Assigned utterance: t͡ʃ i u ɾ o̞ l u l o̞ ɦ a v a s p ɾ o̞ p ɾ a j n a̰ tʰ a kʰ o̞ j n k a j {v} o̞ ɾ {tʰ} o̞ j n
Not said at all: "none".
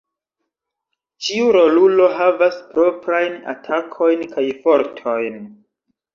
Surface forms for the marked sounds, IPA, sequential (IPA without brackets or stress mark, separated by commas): f, tʰ